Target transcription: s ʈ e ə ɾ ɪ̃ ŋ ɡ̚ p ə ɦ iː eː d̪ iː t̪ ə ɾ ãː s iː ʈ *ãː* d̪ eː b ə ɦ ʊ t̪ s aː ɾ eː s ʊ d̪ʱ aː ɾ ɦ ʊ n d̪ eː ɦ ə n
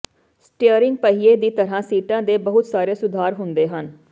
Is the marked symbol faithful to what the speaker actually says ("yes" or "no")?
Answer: yes